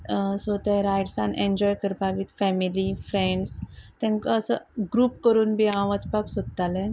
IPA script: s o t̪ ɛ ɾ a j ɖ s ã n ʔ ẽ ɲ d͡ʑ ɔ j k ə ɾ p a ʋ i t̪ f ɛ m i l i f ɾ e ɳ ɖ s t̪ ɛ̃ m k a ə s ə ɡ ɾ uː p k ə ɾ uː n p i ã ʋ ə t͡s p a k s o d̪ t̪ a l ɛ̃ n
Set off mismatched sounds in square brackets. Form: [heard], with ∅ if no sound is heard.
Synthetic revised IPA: s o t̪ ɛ ɾ a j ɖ s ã n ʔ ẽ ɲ d͡ʑ ɔ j k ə ɾ p a ʋ i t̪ f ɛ m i l i f ɾ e ɳ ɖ s t̪ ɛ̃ [ŋ] k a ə s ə ɡ ɾ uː p k ə ɾ uː n [b] i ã ʋ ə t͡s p a k s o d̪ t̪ a l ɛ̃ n